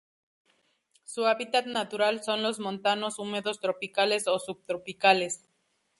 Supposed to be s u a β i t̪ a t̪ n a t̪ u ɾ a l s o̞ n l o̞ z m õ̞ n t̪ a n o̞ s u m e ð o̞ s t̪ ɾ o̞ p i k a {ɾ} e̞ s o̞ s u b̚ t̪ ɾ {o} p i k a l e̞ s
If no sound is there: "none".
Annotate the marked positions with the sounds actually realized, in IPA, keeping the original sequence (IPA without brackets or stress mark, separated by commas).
l, o